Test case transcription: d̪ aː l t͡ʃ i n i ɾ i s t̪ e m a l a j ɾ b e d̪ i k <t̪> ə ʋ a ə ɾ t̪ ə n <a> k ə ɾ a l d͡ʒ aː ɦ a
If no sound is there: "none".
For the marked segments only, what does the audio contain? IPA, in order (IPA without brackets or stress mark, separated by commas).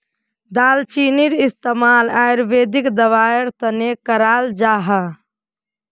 d̪, e